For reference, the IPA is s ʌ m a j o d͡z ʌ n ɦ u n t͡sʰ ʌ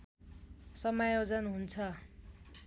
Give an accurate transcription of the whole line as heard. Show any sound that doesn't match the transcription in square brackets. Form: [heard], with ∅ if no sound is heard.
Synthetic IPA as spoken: s ʌ m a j o d͡z ʌ n ɦ u n t͡sʰ ʌ